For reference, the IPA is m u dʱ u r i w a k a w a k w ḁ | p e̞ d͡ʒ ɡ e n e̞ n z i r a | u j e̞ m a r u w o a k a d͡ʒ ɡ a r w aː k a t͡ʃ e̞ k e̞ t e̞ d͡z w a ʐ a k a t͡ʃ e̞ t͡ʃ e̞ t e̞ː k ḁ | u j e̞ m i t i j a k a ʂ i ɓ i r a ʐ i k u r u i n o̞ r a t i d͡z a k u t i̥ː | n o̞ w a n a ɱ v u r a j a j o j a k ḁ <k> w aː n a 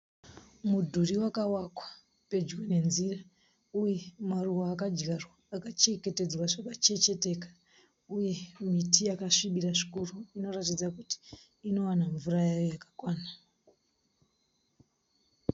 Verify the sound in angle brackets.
correct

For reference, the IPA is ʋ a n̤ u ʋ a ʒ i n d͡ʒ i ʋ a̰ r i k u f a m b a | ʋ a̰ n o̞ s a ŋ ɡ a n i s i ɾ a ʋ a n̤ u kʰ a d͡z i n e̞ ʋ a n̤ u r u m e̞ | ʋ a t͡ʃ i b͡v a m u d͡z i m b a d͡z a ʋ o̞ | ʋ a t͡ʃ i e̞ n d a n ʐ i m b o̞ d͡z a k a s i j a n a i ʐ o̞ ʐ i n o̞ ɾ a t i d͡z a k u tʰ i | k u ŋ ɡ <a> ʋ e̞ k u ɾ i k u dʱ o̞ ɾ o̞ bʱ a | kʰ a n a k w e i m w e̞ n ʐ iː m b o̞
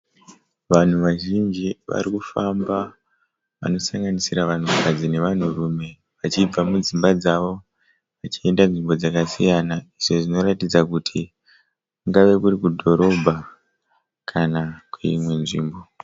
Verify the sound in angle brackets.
correct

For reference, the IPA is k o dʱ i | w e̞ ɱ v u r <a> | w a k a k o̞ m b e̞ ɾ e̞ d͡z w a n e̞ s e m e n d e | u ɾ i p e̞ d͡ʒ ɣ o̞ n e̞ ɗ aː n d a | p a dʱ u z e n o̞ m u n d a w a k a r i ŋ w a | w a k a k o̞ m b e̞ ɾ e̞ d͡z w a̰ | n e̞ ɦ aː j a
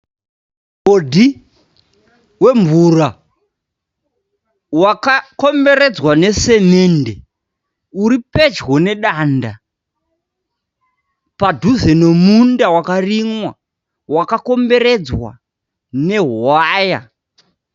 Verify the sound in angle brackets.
correct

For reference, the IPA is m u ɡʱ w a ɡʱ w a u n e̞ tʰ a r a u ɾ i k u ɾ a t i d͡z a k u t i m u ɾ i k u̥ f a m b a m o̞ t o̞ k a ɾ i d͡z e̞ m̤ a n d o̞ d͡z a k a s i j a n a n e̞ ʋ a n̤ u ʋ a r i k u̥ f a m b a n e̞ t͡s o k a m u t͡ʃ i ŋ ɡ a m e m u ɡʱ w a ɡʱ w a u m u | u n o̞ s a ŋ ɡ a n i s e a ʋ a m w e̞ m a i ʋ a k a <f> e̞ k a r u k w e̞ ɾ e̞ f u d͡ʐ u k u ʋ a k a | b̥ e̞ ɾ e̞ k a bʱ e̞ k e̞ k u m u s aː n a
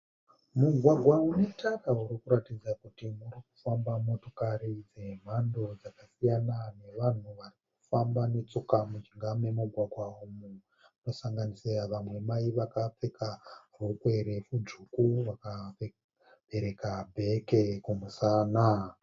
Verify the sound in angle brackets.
incorrect: p͡f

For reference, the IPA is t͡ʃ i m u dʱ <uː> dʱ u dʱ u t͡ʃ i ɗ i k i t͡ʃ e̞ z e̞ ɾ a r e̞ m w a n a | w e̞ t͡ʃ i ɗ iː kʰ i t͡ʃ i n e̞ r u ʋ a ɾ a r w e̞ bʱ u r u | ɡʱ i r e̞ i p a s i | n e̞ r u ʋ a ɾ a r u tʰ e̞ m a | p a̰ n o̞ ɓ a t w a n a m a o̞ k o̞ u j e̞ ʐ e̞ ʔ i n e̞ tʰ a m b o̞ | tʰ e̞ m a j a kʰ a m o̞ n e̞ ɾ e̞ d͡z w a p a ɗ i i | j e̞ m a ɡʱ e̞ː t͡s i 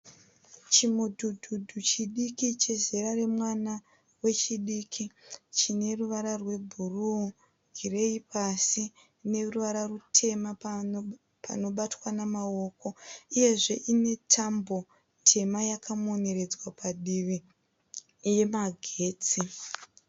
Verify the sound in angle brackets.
incorrect: u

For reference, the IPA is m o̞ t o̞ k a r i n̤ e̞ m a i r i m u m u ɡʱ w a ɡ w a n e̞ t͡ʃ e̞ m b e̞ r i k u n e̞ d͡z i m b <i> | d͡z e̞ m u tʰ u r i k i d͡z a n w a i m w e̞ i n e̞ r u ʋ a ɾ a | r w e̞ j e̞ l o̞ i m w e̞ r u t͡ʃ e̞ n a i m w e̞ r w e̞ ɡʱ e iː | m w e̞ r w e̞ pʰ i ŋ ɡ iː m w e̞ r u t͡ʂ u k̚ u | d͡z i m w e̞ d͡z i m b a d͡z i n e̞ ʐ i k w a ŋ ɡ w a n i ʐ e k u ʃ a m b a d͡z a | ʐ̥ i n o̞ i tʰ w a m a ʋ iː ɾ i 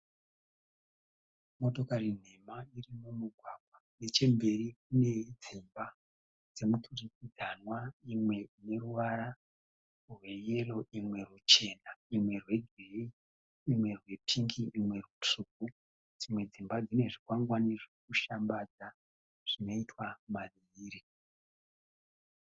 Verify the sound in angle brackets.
incorrect: a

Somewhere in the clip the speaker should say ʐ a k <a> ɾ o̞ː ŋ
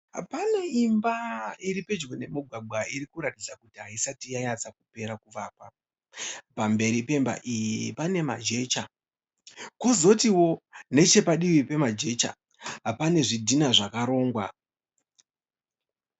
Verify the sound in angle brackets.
correct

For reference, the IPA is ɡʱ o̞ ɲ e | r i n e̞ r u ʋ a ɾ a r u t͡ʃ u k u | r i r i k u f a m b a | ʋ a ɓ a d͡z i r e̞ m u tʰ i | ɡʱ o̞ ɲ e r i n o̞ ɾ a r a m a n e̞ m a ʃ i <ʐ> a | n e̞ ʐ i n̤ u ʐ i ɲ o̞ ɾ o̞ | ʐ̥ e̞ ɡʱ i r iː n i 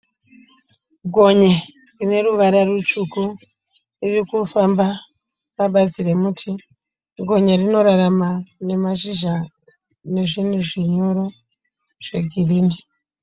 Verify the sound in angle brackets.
incorrect: ʒ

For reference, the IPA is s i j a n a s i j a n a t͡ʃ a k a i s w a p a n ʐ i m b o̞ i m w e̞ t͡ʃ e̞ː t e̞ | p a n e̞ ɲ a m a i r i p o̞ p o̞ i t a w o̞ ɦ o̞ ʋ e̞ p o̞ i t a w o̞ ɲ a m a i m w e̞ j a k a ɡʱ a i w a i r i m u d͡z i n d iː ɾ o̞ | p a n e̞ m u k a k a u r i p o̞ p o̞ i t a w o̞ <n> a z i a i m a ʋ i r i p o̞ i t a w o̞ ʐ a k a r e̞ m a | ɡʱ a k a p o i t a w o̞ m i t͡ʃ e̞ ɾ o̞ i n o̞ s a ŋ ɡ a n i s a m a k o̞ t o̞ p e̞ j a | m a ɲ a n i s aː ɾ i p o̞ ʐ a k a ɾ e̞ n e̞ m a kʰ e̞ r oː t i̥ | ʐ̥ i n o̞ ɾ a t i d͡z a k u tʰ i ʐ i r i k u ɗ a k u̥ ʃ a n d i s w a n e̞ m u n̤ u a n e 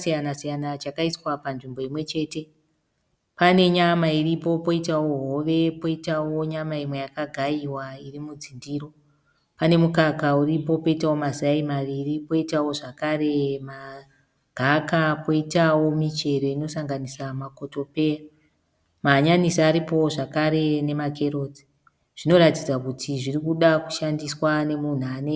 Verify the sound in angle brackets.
incorrect: m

